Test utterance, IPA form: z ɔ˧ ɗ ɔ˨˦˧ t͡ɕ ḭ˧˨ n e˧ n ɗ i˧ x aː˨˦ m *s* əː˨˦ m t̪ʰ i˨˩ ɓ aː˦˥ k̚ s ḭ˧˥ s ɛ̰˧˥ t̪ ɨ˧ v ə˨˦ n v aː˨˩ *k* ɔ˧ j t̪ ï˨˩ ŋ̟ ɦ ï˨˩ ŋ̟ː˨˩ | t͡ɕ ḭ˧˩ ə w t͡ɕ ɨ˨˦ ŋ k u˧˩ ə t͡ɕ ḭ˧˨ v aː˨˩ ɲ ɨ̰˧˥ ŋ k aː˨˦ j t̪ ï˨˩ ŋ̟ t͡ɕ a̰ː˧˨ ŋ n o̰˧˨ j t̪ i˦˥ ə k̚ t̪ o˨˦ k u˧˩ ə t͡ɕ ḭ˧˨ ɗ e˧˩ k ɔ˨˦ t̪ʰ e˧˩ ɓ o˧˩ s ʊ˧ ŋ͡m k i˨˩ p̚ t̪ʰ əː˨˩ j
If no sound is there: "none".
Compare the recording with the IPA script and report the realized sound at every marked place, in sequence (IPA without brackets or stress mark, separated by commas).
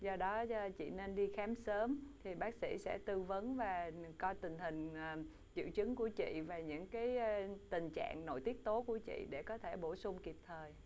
s, k